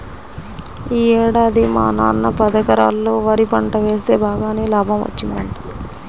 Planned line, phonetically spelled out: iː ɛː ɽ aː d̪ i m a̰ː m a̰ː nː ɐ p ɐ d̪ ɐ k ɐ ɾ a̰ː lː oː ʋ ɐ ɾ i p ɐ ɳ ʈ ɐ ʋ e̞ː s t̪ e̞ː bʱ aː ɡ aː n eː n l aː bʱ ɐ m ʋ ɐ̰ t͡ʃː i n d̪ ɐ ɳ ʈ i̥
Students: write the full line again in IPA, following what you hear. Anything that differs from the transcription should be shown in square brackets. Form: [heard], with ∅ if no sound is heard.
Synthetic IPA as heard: iː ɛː ɽ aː d̪ i m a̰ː [n] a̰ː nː ɐ p ɐ d̪ ɐ k ɐ ɾ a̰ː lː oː ʋ ɐ ɾ i p ɐ ɳ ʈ ɐ ʋ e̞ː s t̪ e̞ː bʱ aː ɡ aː n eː [∅] l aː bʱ ɐ m ʋ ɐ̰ t͡ʃː i n d̪ ɐ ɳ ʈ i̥